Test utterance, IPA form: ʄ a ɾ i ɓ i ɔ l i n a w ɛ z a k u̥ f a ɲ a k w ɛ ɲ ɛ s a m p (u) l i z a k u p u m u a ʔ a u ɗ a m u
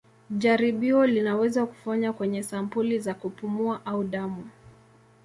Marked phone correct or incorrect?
correct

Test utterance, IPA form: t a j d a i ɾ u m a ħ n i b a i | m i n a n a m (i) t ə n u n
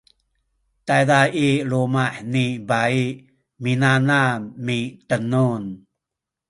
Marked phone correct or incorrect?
correct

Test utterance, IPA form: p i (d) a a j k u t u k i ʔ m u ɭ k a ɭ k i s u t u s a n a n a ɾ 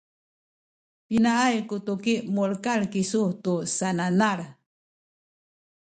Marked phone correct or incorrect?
incorrect: n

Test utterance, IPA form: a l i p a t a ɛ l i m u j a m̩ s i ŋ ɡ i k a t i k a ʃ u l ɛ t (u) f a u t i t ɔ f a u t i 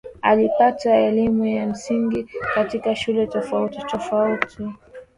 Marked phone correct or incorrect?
incorrect: ɔ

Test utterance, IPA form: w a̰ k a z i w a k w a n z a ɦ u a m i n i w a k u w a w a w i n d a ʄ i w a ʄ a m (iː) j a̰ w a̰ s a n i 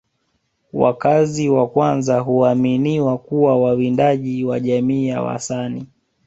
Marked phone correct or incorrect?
correct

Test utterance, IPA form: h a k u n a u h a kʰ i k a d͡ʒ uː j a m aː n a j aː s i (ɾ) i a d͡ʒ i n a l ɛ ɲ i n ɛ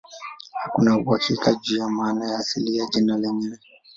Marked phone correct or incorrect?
incorrect: l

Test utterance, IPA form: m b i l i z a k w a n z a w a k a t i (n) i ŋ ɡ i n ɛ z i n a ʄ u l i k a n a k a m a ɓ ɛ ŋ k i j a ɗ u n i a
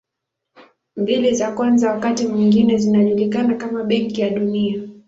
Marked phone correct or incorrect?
incorrect: m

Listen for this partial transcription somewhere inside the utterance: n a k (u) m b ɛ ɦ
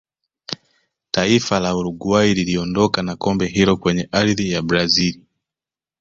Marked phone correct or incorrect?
incorrect: ɔ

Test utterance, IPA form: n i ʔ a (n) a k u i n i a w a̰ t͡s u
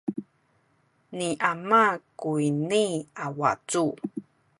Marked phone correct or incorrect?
incorrect: m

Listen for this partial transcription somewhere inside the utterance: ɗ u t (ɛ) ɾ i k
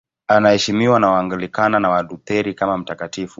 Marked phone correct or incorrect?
correct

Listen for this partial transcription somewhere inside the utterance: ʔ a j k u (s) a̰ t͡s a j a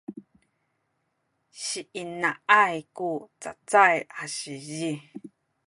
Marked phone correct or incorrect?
incorrect: t͡s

